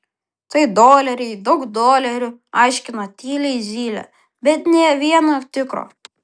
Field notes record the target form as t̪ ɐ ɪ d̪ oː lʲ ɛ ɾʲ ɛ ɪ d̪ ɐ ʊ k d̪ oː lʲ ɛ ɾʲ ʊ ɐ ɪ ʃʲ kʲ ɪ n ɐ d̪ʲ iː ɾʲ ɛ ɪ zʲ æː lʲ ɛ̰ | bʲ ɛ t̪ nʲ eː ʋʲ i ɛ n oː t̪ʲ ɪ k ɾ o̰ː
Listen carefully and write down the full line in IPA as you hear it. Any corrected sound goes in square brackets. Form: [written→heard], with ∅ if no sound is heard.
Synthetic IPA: t̪ ɐ ɪ d̪ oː lʲ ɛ ɾʲ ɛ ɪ d̪ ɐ ʊ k d̪ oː lʲ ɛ ɾʲ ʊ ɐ ɪ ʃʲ kʲ ɪ n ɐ [d̪ʲ→t̪ʲ] iː [ɾʲ→lʲ] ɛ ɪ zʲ [æː→iː] lʲ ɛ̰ | bʲ ɛ t̪ nʲ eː ʋʲ i ɛ n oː t̪ʲ ɪ k ɾ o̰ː